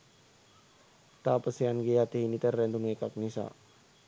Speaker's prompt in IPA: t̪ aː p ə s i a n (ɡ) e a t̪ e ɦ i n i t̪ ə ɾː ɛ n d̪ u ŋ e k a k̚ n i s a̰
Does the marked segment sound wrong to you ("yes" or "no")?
no